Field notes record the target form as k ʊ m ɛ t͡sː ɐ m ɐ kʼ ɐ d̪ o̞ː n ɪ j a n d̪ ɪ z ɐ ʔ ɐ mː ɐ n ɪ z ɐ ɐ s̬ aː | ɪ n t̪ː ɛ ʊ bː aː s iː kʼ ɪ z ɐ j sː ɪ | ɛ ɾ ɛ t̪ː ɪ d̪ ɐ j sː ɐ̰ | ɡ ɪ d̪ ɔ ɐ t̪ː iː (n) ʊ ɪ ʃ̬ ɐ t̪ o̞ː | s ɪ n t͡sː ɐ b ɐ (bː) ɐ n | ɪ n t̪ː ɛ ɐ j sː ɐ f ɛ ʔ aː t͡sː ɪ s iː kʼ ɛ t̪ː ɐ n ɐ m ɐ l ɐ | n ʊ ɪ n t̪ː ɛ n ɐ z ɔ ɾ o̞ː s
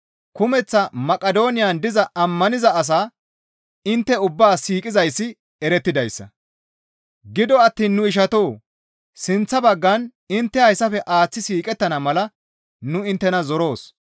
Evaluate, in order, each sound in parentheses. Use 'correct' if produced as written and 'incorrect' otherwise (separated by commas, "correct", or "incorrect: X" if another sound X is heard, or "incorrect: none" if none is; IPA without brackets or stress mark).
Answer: incorrect: nː, incorrect: ɡː